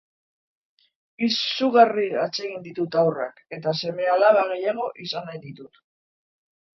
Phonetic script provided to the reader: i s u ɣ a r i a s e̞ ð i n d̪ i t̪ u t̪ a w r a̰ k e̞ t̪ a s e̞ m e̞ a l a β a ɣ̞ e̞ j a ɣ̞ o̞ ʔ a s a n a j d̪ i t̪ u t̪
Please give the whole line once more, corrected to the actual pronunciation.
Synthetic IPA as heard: i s u ɣ a r i a t͡s e̞ ɣ i n d̪ i t̪ u t̪ a w r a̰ k e̞ t̪ a s e̞ m e̞ a l a β a ɣ̞ e̞ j a ɣ̞ o̞ ʔ i s a n a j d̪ i t̪ u t̪